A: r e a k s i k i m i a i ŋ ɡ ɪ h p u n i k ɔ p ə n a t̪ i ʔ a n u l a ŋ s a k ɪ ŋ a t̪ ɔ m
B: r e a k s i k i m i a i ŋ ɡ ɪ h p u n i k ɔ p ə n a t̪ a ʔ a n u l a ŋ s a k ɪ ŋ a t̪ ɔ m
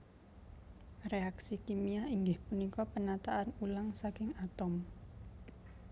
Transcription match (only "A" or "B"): B